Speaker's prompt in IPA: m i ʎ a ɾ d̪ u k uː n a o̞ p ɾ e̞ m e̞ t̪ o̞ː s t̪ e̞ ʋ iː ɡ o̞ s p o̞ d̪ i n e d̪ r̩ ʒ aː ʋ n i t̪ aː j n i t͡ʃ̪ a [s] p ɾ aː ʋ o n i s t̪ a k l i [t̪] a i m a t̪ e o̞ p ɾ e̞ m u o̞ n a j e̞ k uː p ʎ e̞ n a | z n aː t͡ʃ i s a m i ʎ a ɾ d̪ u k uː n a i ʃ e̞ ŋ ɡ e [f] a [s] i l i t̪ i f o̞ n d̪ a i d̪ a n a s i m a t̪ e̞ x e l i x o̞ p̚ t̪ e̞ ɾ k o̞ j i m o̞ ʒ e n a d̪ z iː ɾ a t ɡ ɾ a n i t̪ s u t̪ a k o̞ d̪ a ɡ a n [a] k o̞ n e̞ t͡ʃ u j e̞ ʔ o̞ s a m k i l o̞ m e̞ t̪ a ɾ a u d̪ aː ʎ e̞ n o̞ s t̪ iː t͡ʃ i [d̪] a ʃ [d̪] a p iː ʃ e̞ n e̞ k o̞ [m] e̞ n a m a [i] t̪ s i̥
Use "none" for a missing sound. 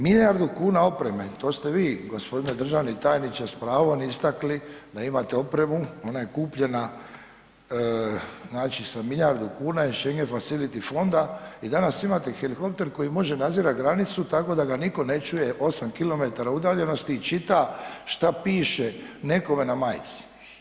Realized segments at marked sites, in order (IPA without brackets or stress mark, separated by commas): s, d̪, f, s, i, t̪, t̪, m, j